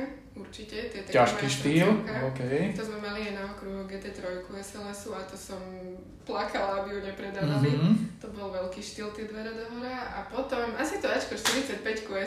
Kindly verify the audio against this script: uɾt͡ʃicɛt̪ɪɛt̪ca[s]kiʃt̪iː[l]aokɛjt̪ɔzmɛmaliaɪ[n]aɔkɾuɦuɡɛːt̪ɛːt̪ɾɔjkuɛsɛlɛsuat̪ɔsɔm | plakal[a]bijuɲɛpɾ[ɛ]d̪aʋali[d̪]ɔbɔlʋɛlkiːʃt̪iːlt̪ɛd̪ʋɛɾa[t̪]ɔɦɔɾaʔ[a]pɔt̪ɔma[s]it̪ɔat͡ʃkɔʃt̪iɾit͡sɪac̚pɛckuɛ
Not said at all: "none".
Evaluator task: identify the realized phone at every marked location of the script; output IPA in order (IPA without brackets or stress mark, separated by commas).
ʃ, l, n, a, ɛ, t̪, d̪, a, s